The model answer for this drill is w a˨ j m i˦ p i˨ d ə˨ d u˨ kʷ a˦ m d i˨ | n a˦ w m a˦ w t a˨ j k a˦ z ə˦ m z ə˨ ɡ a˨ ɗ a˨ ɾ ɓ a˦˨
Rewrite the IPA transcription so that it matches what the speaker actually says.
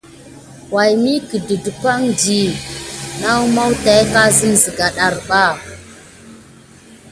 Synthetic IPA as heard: w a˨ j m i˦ k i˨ d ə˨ d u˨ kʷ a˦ ŋ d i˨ | n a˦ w m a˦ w t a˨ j k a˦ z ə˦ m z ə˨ ɡ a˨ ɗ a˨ ɾ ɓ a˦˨

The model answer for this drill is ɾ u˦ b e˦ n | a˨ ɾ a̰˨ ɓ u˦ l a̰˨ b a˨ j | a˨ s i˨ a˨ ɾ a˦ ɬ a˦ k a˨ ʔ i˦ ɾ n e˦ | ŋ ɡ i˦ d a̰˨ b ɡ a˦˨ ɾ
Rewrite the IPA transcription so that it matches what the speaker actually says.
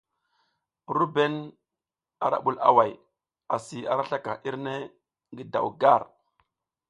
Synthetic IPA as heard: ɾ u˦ b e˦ n | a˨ ɾ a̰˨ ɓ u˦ l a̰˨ w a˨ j | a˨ s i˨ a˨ ɾ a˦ ɬ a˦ k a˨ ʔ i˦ ɾ n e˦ | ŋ ɡ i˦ d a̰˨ w ɡ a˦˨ ɾ

